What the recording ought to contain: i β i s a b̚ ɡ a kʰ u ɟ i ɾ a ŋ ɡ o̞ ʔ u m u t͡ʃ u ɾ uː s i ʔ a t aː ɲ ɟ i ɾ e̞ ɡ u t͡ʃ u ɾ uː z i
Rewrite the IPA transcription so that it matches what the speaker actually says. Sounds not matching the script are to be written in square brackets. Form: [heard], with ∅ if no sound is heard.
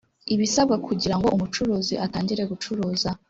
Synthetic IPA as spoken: i β i s a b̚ ɡ a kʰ u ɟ i ɾ a ŋ ɡ o̞ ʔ u m u t͡ʃ u ɾ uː [z] i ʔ a t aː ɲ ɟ i ɾ e̞ ɡ u t͡ʃ u ɾ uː z [a]